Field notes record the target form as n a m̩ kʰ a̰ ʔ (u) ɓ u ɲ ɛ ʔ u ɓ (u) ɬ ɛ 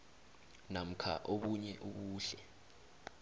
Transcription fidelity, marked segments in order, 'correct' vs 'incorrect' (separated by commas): incorrect, incorrect